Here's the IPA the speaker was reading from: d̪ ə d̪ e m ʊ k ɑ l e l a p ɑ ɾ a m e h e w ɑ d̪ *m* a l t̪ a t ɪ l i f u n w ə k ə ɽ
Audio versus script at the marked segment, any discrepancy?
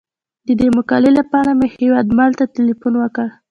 no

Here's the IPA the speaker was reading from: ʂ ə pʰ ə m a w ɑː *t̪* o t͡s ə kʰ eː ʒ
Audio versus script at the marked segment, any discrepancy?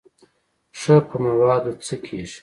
yes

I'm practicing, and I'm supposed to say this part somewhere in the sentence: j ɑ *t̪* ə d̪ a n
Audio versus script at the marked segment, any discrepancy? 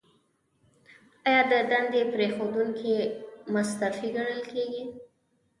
yes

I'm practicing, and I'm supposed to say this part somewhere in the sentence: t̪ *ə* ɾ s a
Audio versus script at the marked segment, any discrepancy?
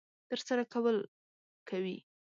no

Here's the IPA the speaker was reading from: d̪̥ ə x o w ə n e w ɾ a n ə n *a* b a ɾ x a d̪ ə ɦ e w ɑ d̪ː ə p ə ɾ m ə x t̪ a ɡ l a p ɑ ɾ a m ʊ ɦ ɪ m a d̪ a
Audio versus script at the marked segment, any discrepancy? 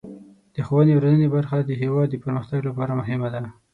yes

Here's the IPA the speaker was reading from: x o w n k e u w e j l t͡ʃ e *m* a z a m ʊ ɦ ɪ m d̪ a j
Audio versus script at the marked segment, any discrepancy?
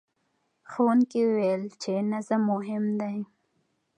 yes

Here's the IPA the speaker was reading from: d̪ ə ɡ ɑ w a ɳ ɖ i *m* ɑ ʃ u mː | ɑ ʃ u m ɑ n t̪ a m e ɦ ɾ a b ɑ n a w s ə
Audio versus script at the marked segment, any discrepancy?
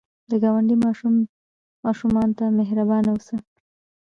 no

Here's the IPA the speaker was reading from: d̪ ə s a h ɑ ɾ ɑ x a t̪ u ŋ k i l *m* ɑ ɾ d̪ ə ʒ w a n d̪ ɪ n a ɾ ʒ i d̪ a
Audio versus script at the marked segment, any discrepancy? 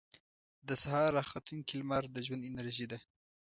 no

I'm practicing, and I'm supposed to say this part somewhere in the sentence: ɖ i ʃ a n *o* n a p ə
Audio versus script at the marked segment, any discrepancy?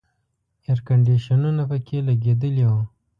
yes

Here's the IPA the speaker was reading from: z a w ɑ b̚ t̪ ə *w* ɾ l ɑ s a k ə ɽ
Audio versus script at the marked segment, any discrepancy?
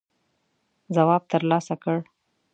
yes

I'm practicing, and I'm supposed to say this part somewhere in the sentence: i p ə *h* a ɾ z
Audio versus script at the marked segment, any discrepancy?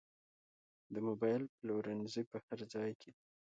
no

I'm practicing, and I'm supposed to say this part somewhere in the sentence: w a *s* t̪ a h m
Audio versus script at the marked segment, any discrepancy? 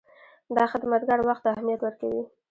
yes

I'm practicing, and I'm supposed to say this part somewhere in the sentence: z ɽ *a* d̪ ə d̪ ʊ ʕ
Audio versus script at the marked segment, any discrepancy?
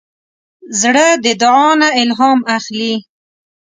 yes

